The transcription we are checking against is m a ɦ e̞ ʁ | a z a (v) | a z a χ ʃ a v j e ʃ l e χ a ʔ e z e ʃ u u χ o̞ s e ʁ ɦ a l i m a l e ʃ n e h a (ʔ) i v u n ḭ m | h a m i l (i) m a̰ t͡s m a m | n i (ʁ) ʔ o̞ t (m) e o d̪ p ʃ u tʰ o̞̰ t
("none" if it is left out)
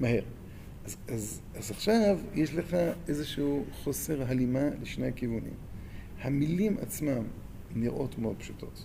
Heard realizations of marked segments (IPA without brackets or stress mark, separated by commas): z, k, i, ʁ, m